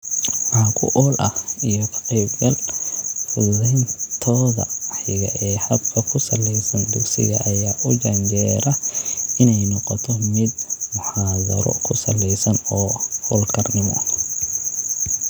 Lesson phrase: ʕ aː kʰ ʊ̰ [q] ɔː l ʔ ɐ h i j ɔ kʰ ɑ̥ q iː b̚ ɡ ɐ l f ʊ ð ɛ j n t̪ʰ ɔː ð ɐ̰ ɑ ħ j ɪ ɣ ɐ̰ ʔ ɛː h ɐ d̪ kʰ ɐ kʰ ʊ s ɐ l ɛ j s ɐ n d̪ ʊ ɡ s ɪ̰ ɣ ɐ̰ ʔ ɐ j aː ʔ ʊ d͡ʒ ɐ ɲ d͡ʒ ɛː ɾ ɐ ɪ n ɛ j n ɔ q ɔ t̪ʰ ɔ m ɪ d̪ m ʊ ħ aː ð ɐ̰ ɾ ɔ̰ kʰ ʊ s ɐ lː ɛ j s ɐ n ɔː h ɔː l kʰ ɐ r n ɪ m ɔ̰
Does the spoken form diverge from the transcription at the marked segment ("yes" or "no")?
yes